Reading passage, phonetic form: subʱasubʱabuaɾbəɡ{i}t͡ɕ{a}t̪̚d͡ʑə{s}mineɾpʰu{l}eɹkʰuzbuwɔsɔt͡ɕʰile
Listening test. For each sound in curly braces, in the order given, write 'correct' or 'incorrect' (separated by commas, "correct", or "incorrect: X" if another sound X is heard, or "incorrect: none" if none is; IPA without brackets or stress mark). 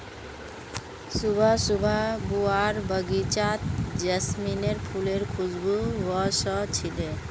correct, correct, correct, correct